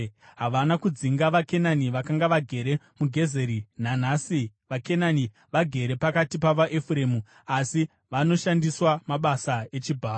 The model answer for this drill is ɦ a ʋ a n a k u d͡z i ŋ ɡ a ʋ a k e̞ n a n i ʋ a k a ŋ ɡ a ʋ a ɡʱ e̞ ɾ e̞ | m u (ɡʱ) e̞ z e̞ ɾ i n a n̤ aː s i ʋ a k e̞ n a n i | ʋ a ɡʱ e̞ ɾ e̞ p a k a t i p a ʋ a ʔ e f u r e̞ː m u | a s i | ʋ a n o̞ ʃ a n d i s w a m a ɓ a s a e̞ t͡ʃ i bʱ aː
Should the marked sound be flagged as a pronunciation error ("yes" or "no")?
no